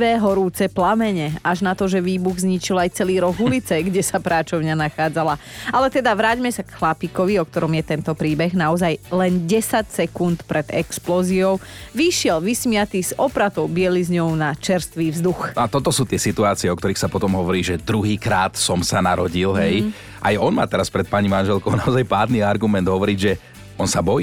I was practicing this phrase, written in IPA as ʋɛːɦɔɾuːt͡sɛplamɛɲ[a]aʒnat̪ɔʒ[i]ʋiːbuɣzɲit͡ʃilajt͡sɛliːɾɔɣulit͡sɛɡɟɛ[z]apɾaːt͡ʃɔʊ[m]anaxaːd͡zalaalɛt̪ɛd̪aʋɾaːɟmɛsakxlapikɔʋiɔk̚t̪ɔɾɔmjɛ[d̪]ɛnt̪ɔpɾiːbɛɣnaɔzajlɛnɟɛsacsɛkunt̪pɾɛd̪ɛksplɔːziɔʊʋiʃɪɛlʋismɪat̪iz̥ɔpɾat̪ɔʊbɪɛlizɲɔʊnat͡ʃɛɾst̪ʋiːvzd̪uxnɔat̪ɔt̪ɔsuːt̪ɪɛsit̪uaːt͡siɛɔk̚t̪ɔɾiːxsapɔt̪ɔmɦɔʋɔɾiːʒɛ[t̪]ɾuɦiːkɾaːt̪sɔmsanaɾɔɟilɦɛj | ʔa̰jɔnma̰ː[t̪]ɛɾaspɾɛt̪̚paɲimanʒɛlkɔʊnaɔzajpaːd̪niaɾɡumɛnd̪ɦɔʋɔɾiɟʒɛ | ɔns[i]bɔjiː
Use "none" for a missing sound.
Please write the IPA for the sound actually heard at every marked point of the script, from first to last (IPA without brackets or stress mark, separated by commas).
ɛ, ɛ, s, ɲ, t̪, d̪, t̪, a